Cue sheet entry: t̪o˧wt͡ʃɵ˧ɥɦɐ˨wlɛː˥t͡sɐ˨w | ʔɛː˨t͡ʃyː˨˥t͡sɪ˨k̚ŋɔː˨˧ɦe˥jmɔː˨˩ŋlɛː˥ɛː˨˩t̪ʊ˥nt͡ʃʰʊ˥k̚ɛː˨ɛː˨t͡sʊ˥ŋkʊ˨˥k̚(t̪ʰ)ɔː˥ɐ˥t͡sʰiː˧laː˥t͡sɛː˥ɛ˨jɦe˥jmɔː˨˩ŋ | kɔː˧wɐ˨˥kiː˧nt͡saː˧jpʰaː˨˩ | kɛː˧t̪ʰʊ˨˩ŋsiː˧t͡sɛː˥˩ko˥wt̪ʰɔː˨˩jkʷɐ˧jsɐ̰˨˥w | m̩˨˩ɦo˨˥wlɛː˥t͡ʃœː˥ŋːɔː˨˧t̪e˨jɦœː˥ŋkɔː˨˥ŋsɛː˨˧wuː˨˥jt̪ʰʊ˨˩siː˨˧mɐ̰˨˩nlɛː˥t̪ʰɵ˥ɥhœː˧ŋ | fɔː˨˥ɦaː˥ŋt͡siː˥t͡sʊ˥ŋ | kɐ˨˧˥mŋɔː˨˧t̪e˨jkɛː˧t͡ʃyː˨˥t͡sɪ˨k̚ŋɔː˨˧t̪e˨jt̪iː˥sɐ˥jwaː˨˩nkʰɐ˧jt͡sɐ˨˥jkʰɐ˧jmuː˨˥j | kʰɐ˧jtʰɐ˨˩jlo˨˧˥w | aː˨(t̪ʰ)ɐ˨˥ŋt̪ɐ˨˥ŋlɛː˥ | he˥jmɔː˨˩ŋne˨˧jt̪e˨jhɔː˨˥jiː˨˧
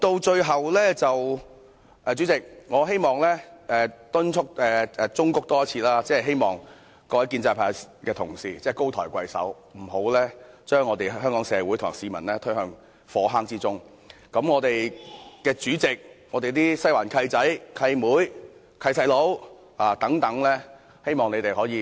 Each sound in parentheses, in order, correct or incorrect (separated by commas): incorrect, incorrect